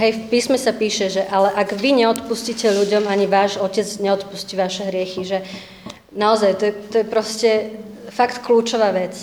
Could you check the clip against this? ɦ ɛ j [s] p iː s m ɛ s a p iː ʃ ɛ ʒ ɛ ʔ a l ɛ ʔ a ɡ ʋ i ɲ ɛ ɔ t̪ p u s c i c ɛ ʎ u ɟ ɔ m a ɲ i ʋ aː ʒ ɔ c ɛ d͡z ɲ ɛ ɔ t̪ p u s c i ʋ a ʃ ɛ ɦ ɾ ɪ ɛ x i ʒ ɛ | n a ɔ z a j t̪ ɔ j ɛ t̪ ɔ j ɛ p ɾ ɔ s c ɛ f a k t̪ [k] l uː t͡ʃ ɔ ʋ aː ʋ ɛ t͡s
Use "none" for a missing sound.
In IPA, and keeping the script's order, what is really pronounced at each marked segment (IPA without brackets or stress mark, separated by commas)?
f, k